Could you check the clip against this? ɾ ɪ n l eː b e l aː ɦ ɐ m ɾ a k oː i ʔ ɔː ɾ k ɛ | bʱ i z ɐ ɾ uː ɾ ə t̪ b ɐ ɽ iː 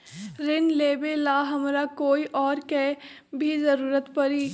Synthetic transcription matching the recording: ɾ ɪ n l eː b e l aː ɦ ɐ m ɾ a k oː i ʔ ɔː ɾ k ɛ | bʱ i z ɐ ɾ uː ɾ ə t̪ p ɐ ɾ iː